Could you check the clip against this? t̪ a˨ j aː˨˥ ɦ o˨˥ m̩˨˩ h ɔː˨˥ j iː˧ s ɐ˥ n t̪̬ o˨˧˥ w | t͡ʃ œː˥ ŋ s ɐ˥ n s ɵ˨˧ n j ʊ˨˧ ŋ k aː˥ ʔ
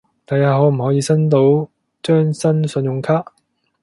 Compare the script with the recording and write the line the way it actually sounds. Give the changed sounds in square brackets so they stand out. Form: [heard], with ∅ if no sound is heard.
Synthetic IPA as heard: t̪ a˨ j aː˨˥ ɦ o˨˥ m̩˨˩ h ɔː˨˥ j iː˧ s ɐ˥ n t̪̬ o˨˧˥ w | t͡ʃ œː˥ ŋ s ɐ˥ n s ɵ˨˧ n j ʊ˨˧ ŋ [kʰ] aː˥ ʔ